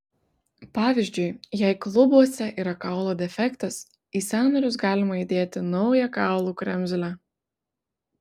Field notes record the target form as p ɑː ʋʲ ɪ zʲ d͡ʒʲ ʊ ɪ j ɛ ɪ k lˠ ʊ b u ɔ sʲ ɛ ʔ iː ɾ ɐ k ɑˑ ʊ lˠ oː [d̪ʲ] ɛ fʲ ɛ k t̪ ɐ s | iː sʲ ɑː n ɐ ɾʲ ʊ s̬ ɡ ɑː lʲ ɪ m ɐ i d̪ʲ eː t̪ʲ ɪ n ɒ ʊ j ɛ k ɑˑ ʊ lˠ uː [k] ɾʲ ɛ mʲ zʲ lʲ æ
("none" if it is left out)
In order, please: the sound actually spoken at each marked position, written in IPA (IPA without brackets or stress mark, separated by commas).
d̪ʲ, k